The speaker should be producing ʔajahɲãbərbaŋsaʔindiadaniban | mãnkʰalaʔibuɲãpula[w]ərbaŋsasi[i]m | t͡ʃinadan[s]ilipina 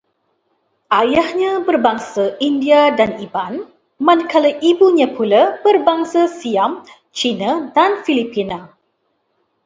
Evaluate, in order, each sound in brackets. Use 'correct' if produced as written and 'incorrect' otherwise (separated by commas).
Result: incorrect, incorrect, incorrect